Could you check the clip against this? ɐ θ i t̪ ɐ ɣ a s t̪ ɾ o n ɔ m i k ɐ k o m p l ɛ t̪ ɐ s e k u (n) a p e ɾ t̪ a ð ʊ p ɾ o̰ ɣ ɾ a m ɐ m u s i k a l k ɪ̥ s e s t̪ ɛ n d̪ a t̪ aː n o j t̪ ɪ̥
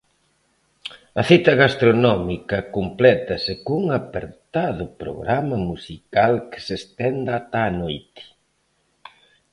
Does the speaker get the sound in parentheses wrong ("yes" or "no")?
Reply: yes